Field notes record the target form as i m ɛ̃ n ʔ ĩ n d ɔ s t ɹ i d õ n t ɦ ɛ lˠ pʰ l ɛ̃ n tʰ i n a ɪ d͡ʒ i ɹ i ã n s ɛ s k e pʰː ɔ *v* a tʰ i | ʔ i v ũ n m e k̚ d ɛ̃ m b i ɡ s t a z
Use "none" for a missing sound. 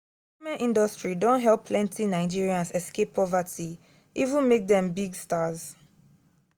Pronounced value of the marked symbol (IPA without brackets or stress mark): v